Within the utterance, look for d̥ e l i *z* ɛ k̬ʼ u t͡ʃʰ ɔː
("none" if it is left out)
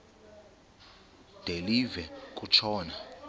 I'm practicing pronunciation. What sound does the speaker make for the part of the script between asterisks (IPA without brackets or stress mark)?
v